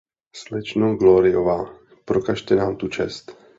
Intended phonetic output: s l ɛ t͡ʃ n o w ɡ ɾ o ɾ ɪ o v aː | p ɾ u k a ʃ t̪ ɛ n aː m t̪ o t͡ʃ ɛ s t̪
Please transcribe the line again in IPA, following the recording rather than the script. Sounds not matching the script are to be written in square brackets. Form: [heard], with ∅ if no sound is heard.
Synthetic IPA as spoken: s l ɛ t͡ʃ n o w ɡ [l] o ɾ ɪ o v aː | p ɾ [o] k a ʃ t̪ ɛ n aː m t̪ [u] t͡ʃ ɛ s t̪